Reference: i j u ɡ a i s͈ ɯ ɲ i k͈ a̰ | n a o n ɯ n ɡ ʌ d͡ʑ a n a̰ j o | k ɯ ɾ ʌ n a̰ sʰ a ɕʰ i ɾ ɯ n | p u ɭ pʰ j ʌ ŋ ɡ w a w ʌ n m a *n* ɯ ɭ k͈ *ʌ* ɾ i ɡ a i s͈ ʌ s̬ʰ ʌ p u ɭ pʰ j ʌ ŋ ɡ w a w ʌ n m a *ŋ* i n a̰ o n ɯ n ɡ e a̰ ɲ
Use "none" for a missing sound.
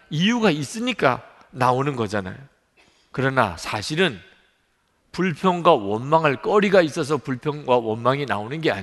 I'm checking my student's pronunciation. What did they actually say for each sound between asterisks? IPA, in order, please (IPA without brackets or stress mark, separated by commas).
ŋ, ʌ, ŋ